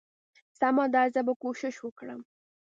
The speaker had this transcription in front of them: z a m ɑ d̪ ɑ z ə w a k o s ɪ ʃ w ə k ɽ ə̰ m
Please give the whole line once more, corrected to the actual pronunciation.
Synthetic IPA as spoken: s a m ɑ d̪ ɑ z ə b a k o ʃ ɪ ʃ w ə k ɽ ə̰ m